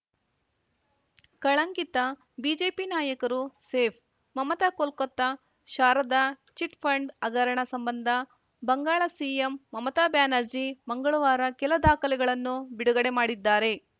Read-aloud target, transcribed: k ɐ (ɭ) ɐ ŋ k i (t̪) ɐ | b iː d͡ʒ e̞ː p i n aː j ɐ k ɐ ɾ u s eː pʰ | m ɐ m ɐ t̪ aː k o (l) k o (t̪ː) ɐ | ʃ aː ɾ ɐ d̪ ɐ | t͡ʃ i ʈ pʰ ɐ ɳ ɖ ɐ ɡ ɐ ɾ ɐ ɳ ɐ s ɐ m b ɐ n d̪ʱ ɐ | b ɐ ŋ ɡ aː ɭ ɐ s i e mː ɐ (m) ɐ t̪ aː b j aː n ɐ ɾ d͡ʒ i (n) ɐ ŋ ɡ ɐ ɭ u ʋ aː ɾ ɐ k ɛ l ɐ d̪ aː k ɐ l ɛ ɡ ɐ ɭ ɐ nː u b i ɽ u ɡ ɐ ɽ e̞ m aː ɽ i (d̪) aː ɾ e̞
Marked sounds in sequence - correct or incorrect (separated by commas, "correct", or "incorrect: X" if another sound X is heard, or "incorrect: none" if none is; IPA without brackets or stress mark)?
correct, correct, correct, correct, correct, incorrect: m, incorrect: d̪ː